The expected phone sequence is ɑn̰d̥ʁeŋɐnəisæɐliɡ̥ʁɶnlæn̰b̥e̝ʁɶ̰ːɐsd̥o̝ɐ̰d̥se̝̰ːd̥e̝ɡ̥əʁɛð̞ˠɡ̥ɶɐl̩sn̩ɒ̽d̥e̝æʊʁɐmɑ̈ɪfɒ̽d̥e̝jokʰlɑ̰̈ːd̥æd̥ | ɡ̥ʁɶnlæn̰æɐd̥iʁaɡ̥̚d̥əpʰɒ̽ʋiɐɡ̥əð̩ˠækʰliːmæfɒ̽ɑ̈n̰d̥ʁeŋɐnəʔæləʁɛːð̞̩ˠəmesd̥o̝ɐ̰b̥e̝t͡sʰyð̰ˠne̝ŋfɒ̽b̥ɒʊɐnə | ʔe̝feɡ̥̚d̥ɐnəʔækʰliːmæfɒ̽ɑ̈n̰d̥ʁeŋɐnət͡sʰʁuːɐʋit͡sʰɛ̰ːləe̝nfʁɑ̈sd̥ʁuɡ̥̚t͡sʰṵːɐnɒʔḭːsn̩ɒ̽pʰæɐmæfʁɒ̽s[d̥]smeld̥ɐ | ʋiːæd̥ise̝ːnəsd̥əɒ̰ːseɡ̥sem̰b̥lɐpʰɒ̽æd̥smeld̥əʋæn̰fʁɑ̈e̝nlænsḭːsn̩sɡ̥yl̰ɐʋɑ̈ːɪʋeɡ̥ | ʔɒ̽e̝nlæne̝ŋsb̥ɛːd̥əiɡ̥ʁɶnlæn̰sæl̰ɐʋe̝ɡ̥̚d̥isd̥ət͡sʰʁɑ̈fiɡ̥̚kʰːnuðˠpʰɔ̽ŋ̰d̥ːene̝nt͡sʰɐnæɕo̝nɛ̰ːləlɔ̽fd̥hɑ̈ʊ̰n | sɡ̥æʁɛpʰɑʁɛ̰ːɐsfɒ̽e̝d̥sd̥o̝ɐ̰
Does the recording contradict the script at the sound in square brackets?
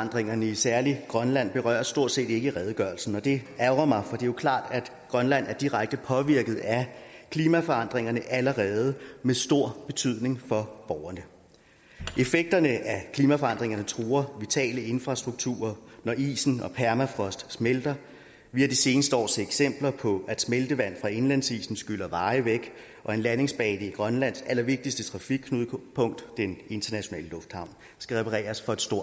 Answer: no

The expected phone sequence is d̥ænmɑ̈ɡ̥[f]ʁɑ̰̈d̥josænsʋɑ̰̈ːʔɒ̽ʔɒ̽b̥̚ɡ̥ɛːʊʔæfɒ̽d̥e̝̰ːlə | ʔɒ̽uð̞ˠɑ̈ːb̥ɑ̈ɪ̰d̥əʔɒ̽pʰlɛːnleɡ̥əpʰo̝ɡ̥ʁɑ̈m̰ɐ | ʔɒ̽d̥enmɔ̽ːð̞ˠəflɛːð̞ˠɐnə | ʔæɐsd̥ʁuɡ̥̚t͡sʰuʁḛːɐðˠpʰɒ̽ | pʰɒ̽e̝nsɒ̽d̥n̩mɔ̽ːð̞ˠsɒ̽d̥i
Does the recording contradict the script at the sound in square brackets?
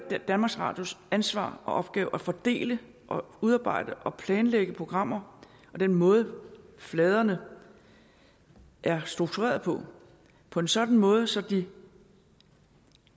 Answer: yes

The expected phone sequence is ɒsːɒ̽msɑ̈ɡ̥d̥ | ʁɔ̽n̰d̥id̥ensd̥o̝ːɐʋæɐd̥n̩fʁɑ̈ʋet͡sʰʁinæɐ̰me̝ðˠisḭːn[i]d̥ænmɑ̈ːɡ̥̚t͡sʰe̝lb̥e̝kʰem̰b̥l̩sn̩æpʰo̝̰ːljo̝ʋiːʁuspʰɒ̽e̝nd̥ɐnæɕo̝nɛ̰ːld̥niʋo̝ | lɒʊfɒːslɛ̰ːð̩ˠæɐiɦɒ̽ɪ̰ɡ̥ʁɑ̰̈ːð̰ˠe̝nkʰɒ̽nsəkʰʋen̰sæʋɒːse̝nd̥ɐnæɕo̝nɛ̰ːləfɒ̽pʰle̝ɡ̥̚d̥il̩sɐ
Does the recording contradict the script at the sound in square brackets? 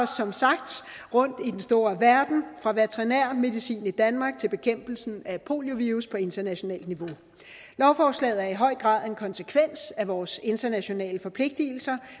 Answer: no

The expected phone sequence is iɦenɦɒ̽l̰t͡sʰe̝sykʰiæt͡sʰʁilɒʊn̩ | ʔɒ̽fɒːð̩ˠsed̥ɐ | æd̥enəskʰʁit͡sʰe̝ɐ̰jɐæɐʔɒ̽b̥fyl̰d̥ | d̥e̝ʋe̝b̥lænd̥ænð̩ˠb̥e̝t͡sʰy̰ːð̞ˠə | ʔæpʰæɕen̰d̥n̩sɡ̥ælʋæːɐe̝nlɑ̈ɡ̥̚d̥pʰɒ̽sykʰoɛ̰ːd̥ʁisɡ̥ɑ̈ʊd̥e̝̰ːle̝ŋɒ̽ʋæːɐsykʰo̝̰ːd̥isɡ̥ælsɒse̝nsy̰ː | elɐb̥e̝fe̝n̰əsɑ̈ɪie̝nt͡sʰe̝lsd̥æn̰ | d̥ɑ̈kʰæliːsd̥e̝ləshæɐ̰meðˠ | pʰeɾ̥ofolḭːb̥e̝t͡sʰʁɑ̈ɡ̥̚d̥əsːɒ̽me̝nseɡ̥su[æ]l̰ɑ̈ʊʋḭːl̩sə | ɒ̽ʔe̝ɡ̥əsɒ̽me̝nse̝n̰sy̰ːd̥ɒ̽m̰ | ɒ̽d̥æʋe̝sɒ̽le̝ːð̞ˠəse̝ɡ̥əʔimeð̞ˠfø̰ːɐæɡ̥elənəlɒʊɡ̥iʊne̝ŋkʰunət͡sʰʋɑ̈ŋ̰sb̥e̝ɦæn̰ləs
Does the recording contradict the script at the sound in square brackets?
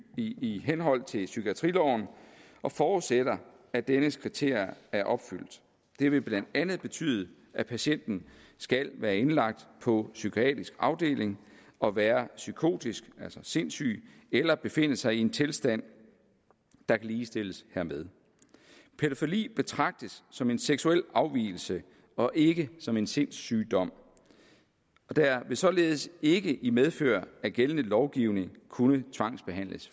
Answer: yes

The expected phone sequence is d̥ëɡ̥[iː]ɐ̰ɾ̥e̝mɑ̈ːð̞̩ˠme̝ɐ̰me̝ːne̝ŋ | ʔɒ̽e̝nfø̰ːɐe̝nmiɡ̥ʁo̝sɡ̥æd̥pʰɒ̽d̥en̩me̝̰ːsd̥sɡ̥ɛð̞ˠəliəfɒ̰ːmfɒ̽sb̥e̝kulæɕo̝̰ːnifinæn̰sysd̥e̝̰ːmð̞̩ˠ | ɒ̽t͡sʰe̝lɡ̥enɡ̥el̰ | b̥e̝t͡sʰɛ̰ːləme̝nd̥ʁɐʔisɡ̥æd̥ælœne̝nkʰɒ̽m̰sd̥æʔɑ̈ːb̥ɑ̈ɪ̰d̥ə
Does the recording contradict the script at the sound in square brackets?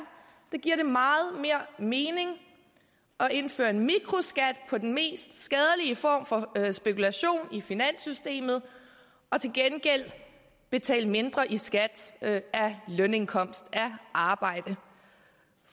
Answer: yes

